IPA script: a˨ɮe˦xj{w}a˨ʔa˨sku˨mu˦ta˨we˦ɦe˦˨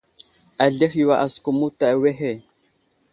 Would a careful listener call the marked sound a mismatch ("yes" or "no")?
no